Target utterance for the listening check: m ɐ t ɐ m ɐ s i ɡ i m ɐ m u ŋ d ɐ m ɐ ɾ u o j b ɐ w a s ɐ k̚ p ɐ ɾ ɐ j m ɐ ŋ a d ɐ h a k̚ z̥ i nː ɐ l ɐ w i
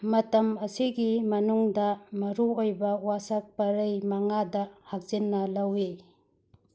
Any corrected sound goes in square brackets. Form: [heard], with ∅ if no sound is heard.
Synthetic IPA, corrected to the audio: m ɐ t ɐ m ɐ s i ɡ i m ɐ [n] u ŋ d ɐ m ɐ ɾ u o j b ɐ w a s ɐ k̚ p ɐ ɾ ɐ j m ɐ ŋ a d ɐ h a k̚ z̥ i nː ɐ l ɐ w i

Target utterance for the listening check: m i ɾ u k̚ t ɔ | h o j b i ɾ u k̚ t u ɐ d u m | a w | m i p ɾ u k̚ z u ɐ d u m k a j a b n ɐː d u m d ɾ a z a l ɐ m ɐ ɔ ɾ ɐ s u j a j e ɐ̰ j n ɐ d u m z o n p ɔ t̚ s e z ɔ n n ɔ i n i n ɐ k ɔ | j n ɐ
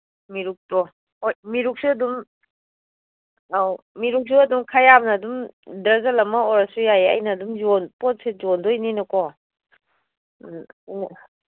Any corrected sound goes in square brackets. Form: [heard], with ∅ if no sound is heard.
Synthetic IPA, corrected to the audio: m i ɾ u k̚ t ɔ | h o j [m] i ɾ u k̚ [s] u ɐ d u m | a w | m i [∅] ɾ u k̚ [s] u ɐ d u m [kʰ] a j a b n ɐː d u m d ɾ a z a l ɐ m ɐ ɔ ɾ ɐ s u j a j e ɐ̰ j n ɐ d u m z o n p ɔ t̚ s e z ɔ n [d] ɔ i n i n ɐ k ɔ | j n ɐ

